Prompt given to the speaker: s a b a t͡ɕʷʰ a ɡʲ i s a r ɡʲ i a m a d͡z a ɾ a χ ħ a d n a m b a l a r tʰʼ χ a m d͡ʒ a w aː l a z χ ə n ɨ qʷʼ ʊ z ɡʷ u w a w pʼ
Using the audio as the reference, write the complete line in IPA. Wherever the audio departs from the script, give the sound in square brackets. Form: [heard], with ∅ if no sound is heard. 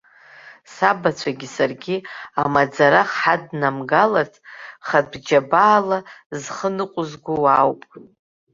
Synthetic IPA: s a b a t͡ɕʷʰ a ɡʲ i s a r ɡʲ i a m a d͡z a ɾ a χ ħ a d n a m [ɡ] a l a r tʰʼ χ a [b] d͡ʒ a [b] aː l a z χ ə n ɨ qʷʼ ʊ z ɡʷ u w a w pʼ